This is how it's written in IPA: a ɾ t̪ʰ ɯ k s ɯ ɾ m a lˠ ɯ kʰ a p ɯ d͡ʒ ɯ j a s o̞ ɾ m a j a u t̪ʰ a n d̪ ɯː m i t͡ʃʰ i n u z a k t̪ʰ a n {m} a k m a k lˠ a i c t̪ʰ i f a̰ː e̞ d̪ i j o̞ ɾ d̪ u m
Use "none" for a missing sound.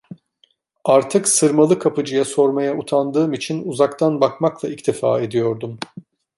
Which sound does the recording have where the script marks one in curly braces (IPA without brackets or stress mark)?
b